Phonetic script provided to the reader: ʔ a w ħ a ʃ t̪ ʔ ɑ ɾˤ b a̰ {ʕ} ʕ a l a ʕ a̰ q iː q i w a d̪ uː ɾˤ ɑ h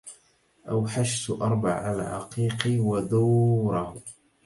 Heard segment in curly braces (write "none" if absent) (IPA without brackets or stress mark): ʕ